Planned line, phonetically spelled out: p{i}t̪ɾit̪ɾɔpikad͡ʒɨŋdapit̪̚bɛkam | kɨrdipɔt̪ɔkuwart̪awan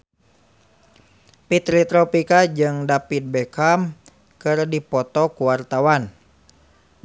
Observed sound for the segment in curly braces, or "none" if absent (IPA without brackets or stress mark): i